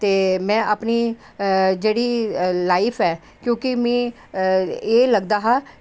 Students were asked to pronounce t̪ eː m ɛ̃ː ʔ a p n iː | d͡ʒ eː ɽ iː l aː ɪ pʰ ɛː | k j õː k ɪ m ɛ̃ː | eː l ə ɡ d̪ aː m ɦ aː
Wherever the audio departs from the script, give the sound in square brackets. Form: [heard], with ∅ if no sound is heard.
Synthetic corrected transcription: t̪ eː m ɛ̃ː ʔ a p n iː | d͡ʒ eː ɽ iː l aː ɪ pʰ ɛː | k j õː k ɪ m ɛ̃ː | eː l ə ɡ d̪ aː [∅] ɦ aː